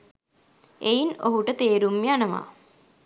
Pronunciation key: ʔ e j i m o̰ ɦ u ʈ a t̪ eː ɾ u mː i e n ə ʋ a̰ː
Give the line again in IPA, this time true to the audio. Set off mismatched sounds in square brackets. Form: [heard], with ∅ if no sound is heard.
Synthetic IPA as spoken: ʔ e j i [n] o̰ ɦ u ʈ [ə] t̪ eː ɾ u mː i [a] n ə ʋ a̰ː